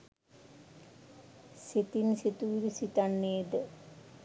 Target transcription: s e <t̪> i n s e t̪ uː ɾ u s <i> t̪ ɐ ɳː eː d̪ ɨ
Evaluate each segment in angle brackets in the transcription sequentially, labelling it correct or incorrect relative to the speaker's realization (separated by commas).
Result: correct, correct